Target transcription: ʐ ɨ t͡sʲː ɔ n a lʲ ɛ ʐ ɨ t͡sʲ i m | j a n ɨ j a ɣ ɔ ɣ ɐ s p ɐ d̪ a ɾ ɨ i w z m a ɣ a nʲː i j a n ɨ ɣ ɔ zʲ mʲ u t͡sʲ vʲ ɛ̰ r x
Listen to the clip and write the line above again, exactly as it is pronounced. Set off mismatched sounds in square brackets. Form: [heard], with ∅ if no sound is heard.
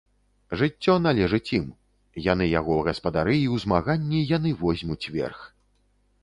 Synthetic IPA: ʐ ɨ t͡sʲː ɔ n a lʲ ɛ ʐ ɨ t͡sʲ i m | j a n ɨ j a ɣ ɔ ɣ ɐ s p ɐ d̪ a ɾ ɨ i w z m a ɣ a nʲː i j a n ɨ [v] ɔ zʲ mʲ u t͡sʲ vʲ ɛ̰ r x